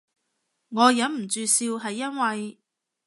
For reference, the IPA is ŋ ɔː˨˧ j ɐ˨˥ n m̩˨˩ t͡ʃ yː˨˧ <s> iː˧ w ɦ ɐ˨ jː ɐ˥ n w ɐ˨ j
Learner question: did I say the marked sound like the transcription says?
yes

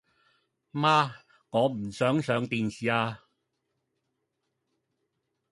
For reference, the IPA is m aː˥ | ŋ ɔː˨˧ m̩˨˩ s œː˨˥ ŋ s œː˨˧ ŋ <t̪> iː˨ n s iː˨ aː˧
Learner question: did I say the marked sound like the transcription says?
yes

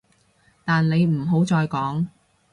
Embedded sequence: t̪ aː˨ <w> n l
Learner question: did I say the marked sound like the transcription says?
no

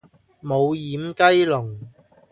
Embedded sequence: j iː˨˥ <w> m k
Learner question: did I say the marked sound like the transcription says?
no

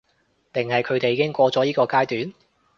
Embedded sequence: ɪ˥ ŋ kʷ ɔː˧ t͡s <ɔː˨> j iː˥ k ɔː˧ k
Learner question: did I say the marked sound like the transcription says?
no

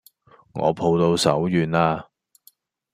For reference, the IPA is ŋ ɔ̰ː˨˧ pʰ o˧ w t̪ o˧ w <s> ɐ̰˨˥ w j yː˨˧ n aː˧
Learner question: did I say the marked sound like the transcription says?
yes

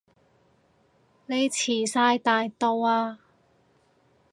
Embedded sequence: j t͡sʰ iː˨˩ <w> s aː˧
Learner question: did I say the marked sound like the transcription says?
no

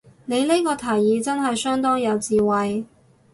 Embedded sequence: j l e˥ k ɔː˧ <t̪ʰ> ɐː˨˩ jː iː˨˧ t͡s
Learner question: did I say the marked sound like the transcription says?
yes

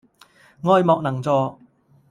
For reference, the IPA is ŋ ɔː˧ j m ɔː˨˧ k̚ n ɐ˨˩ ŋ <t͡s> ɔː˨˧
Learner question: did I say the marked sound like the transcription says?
yes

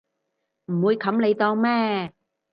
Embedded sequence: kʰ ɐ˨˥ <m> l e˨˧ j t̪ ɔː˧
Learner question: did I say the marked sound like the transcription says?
yes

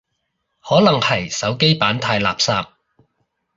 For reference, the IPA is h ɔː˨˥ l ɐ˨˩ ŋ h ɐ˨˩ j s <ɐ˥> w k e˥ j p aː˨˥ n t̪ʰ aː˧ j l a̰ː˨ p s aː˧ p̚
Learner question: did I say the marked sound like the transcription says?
no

